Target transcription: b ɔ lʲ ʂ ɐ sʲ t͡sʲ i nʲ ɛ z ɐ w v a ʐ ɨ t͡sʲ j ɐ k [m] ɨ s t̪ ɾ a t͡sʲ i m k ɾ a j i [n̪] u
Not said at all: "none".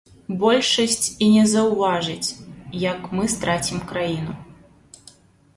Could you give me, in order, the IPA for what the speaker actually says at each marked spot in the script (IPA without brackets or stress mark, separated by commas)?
m, n̪